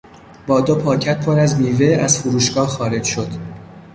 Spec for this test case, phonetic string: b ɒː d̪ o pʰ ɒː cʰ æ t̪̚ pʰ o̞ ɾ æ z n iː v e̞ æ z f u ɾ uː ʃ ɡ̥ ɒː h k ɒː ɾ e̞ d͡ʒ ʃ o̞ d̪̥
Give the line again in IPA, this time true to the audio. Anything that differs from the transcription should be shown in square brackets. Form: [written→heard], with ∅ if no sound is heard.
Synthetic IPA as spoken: b ɒː d̪ o pʰ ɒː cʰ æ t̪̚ pʰ o̞ ɾ æ z n iː v e̞ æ z f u ɾ uː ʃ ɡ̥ ɒː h [k→x] ɒː ɾ e̞ d͡ʒ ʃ o̞ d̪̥